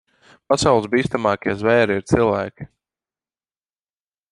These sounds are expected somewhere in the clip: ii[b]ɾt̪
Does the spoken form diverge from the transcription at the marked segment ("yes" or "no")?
yes